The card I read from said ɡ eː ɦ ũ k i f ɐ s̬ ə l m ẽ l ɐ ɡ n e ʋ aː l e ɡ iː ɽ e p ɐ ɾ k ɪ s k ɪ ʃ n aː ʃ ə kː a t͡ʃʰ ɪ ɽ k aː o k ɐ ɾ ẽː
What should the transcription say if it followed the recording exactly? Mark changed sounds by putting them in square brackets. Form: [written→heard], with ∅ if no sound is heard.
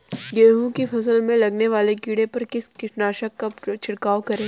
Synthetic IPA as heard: ɡ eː ɦ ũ k i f ɐ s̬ ə l m ẽ l ɐ ɡ n e ʋ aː l e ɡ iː ɽ e p ɐ ɾ k ɪ s k ɪ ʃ n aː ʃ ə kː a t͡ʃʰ ɪ ɽ k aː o k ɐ ɾ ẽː